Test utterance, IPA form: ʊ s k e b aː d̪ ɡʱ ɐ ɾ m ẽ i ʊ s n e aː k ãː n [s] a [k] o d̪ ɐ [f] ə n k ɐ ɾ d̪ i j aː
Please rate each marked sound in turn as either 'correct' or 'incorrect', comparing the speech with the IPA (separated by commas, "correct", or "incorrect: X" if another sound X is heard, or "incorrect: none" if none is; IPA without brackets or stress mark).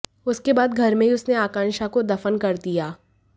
incorrect: ʃ, correct, correct